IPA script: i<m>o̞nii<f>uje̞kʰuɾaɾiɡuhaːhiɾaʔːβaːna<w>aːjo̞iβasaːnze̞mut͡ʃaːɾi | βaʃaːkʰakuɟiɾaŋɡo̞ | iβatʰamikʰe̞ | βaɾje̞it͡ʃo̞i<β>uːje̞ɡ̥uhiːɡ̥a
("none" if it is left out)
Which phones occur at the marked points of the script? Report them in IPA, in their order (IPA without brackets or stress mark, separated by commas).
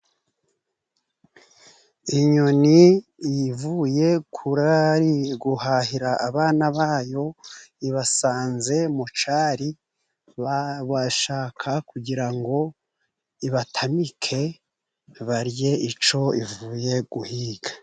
ɲ, v, β, v